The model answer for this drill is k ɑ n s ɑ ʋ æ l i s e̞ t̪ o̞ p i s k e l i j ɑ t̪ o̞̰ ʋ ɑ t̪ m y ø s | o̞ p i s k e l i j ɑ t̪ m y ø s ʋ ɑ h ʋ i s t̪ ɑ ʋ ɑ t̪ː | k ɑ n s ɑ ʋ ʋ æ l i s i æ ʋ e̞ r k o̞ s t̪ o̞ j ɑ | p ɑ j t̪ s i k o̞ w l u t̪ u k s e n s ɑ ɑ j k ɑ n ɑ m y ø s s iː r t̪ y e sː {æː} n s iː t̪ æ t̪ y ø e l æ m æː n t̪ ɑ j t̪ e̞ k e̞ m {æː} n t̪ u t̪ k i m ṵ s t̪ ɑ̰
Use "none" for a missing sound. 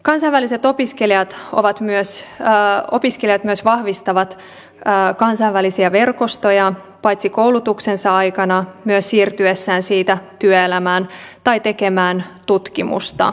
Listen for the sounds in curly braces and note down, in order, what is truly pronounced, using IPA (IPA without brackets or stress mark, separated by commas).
æː, æː